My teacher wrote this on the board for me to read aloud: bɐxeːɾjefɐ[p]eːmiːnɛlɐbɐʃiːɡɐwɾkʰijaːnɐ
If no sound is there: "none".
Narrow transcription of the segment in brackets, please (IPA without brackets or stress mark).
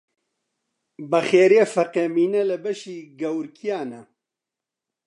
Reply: q